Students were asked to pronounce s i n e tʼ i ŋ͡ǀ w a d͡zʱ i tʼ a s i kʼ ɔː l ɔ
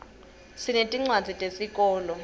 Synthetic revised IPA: s i n e tʼ i ŋ͡ǀ w a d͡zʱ i tʼ e s i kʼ ɔː l ɔ